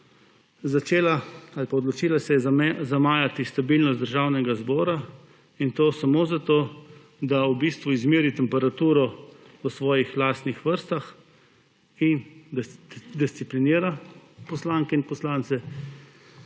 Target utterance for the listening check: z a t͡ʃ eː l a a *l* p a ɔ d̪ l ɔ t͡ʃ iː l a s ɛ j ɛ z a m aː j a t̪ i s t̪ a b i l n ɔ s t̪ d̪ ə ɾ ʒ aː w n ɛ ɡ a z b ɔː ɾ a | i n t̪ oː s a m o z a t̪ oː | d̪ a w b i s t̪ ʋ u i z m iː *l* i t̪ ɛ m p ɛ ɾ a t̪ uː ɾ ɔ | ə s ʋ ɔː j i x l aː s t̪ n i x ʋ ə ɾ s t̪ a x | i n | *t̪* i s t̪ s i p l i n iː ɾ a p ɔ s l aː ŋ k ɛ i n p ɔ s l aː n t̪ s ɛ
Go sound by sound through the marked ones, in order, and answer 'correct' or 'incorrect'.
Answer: correct, incorrect: ɾ, incorrect: d̪

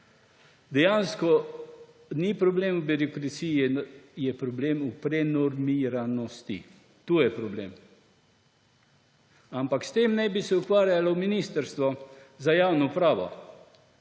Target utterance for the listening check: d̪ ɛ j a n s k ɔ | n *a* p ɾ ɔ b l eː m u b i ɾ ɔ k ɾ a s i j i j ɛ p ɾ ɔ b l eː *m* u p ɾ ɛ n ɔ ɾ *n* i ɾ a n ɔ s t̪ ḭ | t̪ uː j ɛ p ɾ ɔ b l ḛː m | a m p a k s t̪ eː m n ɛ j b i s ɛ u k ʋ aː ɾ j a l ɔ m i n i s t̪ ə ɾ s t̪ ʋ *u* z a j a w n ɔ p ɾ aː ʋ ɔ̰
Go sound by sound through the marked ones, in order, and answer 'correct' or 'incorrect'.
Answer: incorrect: i, correct, incorrect: m, incorrect: ɔ

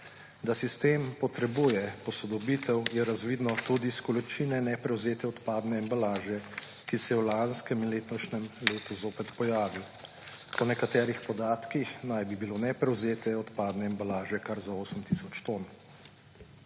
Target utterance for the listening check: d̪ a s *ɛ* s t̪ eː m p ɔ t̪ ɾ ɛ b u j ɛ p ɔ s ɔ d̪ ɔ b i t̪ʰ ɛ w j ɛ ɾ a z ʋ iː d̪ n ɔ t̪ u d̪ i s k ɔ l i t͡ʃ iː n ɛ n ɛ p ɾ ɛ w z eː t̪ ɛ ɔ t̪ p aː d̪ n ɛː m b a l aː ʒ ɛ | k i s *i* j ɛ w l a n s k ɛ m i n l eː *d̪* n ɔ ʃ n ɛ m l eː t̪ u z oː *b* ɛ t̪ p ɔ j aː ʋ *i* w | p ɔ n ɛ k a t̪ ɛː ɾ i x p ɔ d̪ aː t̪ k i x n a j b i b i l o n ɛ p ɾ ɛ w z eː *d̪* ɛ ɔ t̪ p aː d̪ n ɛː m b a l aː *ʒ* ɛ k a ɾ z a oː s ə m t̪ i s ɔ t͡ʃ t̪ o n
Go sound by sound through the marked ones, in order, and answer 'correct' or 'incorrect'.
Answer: incorrect: i, incorrect: ɛ, incorrect: t̪, incorrect: p, correct, incorrect: t̪, correct

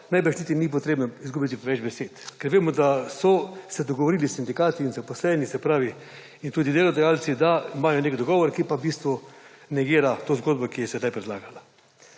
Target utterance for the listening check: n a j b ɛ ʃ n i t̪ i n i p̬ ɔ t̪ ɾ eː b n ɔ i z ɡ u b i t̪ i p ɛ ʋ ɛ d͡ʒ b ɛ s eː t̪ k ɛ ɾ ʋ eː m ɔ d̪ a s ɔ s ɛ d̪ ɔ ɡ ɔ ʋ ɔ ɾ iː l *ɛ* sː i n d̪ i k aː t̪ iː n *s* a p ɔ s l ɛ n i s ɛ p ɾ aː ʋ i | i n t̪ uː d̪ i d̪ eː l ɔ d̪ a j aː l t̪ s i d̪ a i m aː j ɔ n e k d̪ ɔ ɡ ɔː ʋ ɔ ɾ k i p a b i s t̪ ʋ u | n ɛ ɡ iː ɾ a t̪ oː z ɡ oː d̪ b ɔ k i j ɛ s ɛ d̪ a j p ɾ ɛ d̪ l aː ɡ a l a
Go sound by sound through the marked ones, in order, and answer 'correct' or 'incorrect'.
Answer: incorrect: i, incorrect: z

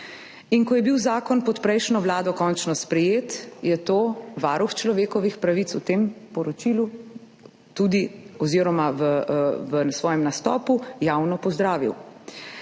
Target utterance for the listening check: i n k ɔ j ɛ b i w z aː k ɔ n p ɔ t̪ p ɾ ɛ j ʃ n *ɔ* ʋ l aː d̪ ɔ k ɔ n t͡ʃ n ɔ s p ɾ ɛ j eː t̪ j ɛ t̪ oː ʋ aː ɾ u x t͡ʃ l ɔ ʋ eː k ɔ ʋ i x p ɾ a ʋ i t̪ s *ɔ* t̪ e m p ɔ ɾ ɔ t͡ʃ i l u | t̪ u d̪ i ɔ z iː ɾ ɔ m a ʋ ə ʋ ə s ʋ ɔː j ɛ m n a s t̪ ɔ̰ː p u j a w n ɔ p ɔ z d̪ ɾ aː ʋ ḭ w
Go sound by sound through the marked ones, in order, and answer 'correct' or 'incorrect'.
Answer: correct, incorrect: u

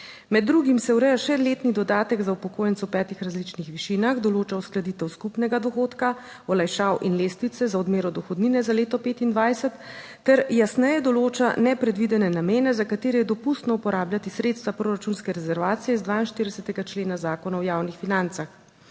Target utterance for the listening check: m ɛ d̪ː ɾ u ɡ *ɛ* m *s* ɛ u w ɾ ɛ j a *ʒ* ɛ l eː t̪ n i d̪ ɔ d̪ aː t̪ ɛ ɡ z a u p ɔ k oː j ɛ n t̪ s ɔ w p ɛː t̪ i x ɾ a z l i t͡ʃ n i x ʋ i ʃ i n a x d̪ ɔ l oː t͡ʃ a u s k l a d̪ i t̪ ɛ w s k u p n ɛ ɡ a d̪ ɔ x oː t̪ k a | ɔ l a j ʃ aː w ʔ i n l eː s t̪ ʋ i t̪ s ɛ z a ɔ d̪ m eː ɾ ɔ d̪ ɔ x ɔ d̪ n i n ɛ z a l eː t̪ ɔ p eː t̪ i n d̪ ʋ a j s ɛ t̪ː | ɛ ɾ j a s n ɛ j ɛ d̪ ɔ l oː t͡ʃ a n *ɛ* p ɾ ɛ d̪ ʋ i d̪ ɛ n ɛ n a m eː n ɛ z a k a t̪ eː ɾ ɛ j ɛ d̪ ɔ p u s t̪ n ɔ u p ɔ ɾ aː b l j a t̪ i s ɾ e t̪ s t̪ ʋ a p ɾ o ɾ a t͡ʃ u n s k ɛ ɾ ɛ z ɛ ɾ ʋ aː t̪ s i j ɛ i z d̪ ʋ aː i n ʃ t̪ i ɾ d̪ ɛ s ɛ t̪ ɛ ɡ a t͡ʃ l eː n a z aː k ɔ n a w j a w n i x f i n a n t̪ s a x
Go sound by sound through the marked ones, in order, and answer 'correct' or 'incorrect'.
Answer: incorrect: i, correct, incorrect: ʃ, correct

